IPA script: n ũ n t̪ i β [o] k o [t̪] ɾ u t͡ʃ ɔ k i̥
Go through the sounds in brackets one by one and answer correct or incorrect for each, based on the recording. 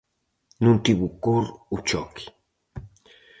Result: incorrect: u, incorrect: none

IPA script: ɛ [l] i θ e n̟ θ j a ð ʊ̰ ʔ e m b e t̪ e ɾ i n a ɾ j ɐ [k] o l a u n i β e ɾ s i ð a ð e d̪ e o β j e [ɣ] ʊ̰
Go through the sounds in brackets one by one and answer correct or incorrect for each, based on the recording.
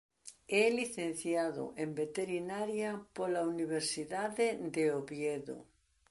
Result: correct, incorrect: p, incorrect: ð

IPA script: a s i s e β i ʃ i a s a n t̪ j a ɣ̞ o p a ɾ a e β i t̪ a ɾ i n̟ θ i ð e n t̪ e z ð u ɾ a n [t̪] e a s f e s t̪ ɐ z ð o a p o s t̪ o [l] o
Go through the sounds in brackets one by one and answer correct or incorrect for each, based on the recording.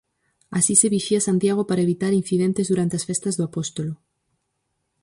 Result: correct, correct

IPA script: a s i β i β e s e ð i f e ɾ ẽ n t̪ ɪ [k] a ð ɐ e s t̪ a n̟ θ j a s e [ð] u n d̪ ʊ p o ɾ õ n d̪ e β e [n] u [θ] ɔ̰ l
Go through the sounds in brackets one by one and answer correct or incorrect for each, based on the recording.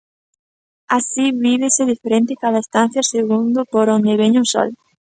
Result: correct, incorrect: ɣ, incorrect: ɲ, incorrect: s

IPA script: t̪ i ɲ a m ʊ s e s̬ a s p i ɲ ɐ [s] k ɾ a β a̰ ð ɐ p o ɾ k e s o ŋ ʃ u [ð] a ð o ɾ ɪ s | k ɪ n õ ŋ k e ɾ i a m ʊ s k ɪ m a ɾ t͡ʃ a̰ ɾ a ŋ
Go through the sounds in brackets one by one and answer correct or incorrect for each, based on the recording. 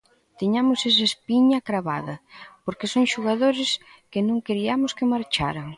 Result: incorrect: none, incorrect: ɣ

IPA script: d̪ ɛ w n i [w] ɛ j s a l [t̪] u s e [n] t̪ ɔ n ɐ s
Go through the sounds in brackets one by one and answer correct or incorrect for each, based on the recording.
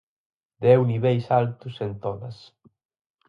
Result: incorrect: β, correct, correct

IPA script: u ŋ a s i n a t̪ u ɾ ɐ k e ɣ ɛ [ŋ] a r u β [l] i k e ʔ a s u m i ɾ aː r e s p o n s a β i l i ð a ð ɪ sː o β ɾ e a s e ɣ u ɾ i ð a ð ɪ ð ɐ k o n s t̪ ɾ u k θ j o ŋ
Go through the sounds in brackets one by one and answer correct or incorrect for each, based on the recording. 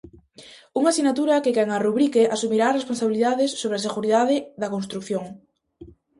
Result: correct, incorrect: ɾ

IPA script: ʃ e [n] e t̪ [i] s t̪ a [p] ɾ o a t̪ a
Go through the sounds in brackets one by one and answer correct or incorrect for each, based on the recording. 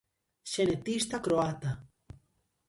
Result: correct, correct, incorrect: k

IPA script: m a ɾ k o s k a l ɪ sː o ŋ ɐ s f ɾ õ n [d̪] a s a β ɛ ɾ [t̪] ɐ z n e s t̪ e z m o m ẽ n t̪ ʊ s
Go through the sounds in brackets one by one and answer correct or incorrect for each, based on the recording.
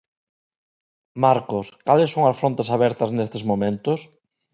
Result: incorrect: t̪, correct

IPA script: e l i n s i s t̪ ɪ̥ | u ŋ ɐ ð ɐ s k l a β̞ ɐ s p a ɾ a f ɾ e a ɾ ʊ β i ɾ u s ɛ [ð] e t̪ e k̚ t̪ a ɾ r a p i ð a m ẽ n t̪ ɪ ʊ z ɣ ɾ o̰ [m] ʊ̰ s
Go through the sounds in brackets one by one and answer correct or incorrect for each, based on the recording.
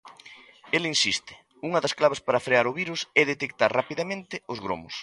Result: correct, correct

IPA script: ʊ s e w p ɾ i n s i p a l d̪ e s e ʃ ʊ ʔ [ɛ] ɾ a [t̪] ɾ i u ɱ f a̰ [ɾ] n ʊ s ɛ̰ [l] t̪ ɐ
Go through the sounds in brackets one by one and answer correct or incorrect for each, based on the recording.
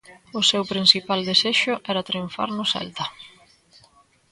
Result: correct, correct, correct, correct

